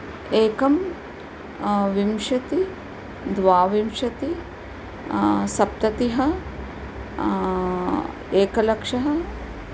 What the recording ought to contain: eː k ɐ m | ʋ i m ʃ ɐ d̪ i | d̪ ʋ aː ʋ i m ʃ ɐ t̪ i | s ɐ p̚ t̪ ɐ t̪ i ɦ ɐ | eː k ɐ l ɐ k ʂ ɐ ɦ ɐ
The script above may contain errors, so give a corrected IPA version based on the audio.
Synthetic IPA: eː k ɐ m | ʋ i m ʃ ɐ t̪ i | d̪ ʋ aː ʋ i m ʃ ɐ t̪ i | s ɐ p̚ t̪ ɐ t̪ i ɦ ɐ | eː k ɐ l ɐ k ʂ ɐ ɦ ɐ